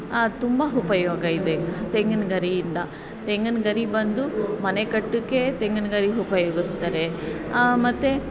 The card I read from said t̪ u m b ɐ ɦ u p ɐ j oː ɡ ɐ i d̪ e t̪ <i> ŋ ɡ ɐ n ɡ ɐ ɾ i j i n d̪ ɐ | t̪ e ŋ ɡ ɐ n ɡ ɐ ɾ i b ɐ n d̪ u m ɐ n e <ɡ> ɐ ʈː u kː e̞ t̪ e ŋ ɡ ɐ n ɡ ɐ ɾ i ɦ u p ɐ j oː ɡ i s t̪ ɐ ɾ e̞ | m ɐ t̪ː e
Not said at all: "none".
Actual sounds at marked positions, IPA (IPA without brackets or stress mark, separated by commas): e, k